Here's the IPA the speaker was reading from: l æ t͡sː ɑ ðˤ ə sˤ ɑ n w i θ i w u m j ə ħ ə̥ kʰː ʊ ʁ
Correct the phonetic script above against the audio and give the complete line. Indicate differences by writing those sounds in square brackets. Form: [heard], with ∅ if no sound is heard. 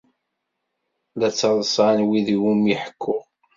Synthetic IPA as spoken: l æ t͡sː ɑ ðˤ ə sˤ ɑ n w i [ð] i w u m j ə ħ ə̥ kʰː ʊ ʁ